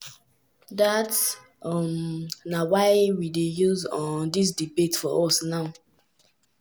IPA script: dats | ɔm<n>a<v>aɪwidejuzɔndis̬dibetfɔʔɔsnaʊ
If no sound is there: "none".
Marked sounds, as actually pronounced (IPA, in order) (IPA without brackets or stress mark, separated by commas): n, w